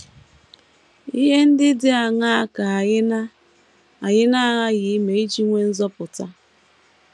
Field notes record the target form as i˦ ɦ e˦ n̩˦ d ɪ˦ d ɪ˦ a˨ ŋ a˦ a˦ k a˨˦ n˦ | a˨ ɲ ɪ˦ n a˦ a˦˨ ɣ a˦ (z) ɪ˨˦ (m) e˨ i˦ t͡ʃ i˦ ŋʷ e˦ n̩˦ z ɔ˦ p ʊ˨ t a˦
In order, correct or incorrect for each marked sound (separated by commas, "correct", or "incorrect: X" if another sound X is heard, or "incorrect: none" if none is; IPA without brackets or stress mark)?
incorrect: ɣ, correct